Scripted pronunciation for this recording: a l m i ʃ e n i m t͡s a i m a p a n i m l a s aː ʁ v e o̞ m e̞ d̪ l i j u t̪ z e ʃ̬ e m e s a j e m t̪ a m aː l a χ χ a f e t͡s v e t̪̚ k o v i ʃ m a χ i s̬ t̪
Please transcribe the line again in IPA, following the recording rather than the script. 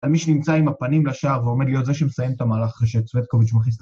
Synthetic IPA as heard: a l m i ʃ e n i m t͡s a i m a p a n i m l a ʃ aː ʁ v e o̞ m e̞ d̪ l i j o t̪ z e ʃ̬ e m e s a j e m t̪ a m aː l a χ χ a ʃ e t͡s v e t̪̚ k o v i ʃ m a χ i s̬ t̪